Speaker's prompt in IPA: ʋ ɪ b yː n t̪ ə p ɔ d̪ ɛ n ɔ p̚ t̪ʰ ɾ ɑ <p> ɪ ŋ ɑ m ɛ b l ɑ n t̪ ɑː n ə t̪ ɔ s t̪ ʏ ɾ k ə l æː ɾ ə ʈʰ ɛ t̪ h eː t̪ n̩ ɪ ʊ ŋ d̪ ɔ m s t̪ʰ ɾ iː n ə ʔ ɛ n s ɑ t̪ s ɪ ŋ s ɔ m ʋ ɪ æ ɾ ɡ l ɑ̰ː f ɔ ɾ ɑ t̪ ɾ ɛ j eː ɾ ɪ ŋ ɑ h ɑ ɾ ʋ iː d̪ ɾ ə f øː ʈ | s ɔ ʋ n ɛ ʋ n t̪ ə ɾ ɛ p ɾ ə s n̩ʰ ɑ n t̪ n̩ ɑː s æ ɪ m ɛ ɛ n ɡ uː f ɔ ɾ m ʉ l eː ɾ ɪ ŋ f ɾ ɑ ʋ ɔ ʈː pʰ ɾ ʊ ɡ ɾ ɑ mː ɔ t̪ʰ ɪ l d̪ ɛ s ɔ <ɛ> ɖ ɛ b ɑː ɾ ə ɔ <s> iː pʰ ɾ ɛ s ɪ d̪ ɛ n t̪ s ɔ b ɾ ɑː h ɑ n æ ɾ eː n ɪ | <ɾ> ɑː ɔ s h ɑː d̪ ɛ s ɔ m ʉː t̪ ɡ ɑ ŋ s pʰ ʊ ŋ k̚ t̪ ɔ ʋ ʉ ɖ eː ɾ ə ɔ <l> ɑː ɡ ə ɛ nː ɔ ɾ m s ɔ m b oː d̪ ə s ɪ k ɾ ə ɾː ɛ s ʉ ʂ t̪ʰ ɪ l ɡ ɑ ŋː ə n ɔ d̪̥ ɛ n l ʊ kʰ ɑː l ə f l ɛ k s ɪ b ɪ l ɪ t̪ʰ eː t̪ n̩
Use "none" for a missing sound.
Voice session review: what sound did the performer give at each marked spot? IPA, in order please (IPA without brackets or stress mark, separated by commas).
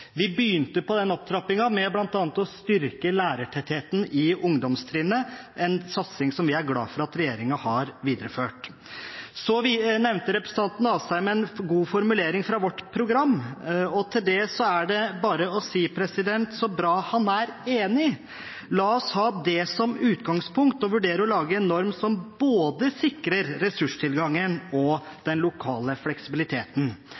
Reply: p, æ, s, l, l